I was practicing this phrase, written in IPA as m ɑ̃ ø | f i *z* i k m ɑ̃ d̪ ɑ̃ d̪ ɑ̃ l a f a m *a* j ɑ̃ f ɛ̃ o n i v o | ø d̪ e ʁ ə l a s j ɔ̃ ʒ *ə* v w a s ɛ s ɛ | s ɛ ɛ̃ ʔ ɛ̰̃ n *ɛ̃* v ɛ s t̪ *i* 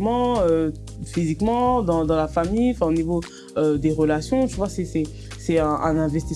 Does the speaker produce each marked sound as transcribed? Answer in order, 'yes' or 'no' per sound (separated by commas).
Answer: yes, no, yes, yes, yes